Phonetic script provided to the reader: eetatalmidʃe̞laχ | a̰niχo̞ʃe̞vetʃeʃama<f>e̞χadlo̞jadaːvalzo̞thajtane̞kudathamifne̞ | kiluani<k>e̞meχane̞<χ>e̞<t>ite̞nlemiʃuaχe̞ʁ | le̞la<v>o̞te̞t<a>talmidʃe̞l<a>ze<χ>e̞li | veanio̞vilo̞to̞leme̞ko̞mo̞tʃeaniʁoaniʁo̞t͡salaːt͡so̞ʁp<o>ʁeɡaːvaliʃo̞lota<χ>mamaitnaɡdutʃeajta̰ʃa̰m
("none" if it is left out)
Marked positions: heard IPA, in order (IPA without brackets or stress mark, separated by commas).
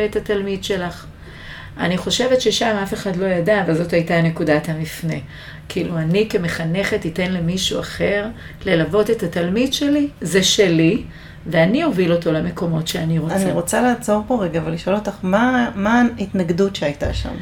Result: f, k, χ, t, v, a, i, ʃ, o, χ